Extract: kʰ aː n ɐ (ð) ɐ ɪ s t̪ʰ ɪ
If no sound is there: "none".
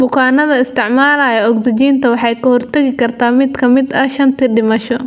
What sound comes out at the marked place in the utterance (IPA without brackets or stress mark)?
ð